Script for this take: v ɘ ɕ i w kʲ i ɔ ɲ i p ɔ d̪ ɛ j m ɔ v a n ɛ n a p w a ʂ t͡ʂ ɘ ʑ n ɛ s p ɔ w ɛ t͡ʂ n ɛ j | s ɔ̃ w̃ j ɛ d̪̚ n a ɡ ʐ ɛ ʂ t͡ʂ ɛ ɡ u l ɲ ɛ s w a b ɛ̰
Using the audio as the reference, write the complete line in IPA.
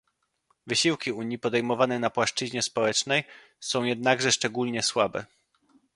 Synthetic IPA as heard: v ɘ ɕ i w kʲ i u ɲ i p ɔ d̪ ɛ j m ɔ v a n ɛ n a p w a ʂ t͡ʂ ɘ ʑ ɲ ɛ s p ɔ w ɛ t͡ʂ n ɛ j | s ɔ̃ w̃ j ɛ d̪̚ n a ɡ ʐ ɛ ʂ t͡ʂ ɛ ɡ u l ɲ ɛ s w a b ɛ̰